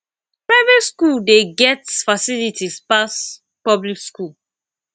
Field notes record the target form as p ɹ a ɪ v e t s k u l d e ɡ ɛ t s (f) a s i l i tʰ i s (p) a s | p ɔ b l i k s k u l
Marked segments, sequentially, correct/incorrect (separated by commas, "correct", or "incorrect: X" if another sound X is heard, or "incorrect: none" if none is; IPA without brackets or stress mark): correct, correct